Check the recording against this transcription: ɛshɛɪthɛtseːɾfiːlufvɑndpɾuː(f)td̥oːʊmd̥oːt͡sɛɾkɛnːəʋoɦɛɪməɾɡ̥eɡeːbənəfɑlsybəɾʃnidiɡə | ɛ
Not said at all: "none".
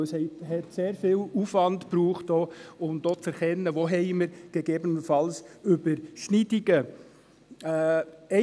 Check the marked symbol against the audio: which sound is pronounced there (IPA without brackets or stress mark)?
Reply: χ